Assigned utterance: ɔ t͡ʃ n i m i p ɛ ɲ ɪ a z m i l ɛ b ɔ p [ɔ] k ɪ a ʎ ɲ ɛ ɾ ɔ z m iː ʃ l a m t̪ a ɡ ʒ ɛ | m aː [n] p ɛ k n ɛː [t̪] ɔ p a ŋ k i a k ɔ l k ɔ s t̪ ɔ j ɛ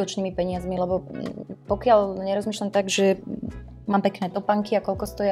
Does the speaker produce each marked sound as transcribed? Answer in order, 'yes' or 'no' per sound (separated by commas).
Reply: yes, no, yes